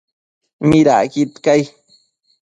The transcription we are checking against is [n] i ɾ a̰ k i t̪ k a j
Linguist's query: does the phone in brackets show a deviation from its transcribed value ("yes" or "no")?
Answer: yes